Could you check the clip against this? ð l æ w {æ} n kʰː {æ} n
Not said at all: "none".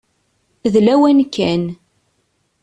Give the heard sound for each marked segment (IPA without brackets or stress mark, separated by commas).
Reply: æ, æ